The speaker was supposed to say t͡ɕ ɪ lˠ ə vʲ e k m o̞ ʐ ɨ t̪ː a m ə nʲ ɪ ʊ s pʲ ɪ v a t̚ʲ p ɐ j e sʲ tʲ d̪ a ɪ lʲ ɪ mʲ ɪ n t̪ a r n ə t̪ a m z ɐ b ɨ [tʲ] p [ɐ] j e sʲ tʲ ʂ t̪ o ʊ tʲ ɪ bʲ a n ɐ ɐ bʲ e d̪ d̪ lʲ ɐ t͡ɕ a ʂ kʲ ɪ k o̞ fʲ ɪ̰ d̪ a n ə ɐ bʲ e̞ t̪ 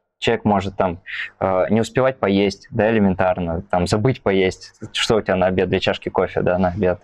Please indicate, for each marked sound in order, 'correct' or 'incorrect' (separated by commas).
correct, correct